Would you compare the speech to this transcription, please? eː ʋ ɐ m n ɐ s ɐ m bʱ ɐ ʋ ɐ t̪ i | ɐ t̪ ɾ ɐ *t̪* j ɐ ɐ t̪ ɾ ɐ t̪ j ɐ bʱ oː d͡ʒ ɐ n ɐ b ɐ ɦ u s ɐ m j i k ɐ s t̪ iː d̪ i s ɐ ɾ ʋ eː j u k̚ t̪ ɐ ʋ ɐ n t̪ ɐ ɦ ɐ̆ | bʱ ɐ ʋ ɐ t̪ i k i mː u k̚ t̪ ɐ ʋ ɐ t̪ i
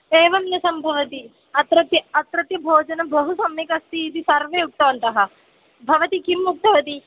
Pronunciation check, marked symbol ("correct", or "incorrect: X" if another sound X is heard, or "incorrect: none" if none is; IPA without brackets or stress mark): correct